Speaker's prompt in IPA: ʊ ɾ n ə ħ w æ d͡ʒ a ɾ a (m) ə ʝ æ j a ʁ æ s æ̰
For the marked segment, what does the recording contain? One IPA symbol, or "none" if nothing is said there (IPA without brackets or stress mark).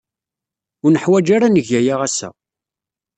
n